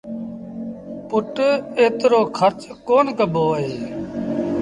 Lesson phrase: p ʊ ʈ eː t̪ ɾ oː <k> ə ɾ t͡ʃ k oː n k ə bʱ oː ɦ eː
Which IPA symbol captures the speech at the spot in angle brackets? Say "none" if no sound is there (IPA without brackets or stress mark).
kʰ